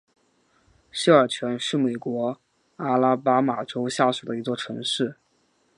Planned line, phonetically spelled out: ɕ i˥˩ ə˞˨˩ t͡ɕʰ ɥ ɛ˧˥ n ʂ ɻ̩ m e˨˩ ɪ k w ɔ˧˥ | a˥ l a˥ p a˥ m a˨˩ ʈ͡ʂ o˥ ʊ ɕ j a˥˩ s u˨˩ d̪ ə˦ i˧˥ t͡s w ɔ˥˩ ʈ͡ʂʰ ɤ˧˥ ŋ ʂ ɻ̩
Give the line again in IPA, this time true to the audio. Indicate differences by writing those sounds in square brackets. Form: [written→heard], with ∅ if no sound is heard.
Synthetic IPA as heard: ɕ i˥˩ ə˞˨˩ t͡ɕʰ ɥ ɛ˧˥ n ʂ ɻ̩ m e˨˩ ɪ k w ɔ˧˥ | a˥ l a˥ p a˥ m a˨˩ ʈ͡ʂ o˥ ʊ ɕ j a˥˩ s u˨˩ d̪ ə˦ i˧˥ t͡s w ɔ˥˩ ʈ͡ʂʰ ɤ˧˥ ŋ ʂ ɻ̩